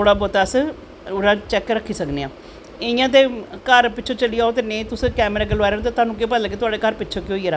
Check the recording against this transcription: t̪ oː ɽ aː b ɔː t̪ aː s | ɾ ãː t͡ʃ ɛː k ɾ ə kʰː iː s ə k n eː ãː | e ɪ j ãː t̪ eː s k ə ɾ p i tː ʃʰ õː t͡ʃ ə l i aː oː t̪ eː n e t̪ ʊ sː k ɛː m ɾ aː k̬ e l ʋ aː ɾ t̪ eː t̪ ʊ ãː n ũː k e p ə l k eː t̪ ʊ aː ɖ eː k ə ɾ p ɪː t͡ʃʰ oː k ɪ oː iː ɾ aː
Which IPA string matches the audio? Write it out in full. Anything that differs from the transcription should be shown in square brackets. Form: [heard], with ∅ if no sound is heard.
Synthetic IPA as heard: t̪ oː ɽ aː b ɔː t̪ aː s | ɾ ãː t͡ʃ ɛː k ɾ ə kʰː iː s ə k n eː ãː | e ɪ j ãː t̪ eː [∅] k ə ɾ p [ɪ] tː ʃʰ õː t͡ʃ ə l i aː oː t̪ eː n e t̪ ʊ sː k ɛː m ɾ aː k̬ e l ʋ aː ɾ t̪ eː t̪ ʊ [aː] n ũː k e p ə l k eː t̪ ʊ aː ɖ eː k ə ɾ p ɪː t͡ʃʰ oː k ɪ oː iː ɾ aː

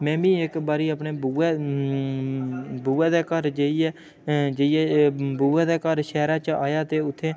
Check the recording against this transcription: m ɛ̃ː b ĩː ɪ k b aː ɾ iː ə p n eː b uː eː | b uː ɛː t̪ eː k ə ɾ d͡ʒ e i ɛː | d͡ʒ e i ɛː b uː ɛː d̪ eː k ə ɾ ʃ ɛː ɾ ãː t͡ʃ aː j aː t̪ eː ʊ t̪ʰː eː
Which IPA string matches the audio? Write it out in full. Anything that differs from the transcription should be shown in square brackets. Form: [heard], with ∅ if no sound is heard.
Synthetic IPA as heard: m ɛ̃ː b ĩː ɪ k b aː ɾ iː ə p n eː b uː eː | b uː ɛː [d̪] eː k ə ɾ d͡ʒ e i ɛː | d͡ʒ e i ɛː b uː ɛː d̪ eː k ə ɾ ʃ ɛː ɾ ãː t͡ʃ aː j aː t̪ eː ʊ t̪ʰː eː

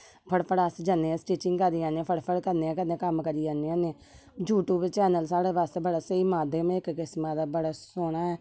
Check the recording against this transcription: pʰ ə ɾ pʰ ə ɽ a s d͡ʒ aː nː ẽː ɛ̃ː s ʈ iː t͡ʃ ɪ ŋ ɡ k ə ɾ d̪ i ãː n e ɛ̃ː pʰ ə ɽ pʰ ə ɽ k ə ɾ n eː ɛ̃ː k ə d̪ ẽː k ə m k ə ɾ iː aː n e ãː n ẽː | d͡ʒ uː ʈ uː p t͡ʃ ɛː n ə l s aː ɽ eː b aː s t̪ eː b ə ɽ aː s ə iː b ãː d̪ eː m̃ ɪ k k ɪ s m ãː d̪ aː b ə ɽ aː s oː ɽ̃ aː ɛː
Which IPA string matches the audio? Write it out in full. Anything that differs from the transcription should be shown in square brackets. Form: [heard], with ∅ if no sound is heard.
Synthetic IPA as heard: pʰ ə [ɽ] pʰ ə ɽ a s d͡ʒ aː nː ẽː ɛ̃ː s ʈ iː t͡ʃ ɪ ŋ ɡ k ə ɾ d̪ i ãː n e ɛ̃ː pʰ ə ɽ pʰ ə ɽ k ə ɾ n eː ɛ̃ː k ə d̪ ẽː k ə m k ə ɾ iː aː n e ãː n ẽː | d͡ʒ uː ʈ uː [b] t͡ʃ ɛː n ə l s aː ɽ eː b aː s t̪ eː b ə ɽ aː s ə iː [m] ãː d̪ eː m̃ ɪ k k ɪ s m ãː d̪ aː b ə ɽ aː s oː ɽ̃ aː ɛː

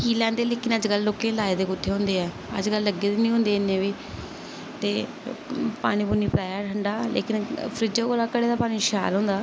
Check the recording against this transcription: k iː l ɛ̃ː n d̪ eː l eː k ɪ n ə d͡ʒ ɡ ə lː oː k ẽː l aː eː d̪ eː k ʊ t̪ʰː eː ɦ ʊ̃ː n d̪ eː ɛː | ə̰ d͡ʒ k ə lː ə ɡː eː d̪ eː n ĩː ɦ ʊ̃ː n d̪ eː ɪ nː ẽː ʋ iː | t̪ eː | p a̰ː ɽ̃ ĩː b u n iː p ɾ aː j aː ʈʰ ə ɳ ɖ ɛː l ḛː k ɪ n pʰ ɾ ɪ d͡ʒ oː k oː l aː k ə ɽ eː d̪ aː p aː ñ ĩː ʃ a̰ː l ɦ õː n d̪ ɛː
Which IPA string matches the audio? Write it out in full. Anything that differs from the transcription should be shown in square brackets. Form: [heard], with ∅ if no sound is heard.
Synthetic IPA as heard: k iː l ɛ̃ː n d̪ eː l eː k ɪ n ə d͡ʒ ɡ ə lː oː k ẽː l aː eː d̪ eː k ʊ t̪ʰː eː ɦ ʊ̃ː n d̪ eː ɛː | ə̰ d͡ʒ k ə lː ə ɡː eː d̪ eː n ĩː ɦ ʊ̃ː n d̪ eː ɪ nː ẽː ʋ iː | t̪ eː | p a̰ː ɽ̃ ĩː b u n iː p ɾ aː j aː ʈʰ ə ɳ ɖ [aː] l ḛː k ɪ n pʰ ɾ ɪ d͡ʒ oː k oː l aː k ə ɽ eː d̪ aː p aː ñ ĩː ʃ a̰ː l ɦ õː n d̪ [aː]

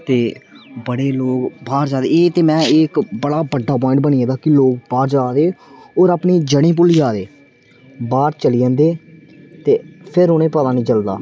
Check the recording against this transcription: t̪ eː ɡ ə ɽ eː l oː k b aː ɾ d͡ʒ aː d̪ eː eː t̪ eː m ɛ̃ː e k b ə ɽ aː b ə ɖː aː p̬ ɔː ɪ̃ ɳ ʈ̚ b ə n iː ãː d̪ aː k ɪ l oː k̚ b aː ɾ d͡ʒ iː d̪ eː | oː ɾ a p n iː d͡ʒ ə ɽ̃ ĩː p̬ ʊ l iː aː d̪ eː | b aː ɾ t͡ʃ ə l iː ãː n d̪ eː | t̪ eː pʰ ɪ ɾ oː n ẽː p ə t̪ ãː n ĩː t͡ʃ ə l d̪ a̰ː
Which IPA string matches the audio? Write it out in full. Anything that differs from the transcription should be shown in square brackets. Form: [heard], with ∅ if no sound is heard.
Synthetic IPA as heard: t̪ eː [b] ə ɽ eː l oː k b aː ɾ d͡ʒ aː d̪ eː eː t̪ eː m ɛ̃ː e k b ə ɽ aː b ə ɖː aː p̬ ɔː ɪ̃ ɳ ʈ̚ b ə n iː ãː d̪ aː k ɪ l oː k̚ b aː ɾ d͡ʒ [aː] d̪ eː | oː ɾ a p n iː d͡ʒ ə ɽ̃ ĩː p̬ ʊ l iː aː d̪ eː | b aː ɾ t͡ʃ ə l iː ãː n d̪ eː | t̪ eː pʰ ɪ ɾ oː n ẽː p ə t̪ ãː n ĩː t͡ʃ ə l d̪ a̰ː

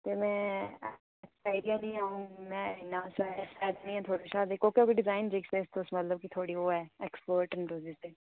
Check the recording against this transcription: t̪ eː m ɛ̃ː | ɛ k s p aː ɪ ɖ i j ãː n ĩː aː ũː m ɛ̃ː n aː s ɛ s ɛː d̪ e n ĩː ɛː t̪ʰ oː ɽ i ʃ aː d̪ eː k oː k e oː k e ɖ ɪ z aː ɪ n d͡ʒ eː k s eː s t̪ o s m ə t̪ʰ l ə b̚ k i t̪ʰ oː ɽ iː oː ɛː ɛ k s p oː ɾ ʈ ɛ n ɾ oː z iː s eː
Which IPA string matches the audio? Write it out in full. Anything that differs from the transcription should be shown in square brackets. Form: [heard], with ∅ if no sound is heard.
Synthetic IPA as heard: t̪ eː m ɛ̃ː | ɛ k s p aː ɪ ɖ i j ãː n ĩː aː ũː m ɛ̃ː n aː s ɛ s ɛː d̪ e n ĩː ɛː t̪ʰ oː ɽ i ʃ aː d̪ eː k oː k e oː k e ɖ ɪ z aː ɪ n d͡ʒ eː k s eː s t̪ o s m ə [t̪] l ə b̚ k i t̪ʰ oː ɽ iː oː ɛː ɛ k s p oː ɾ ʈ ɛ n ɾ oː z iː s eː

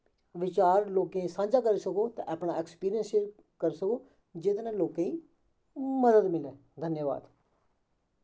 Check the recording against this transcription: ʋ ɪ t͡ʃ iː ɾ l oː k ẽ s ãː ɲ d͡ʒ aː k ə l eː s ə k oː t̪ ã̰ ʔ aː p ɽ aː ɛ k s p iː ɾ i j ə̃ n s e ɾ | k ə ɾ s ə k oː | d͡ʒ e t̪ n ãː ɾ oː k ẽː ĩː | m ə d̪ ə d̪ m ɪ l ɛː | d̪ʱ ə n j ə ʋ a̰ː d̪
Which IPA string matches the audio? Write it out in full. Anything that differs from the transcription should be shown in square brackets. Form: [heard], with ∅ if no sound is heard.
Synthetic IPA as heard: ʋ ɪ t͡ʃ [aː] ɾ l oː k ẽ s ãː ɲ d͡ʒ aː k ə [ɾ] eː s ə k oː t̪ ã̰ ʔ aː p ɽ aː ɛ k s p iː ɾ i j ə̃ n s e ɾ | k ə ɾ s ə k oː | d͡ʒ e t̪ n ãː [l] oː k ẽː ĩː | m ə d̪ ə d̪ m ɪ l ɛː | d̪ʱ ə n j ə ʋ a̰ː d̪

